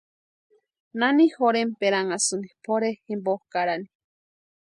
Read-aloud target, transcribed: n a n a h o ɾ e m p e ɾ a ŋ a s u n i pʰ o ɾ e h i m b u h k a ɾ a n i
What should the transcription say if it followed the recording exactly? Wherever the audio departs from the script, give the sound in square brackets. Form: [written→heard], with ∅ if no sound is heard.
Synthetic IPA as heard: n a n [a→i] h o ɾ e m p e ɾ a ŋ a s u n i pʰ o ɾ e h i m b [u→o] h k a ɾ a n i